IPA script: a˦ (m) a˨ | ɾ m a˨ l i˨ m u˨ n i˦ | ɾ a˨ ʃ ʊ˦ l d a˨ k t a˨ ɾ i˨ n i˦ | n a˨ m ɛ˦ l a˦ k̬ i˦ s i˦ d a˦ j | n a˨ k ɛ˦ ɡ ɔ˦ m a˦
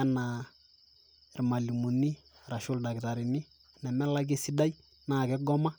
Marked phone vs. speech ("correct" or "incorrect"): incorrect